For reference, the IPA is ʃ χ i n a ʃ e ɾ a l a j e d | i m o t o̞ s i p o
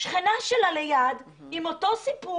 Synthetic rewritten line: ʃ χ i n a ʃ e l a l e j a d | i m o t o̞ s i p u